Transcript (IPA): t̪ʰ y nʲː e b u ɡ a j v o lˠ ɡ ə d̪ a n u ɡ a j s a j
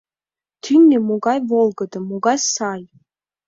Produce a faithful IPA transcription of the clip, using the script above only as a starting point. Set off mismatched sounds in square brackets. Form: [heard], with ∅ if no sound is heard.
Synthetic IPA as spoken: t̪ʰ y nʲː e [m] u ɡ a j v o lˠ ɡ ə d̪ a [m] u ɡ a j s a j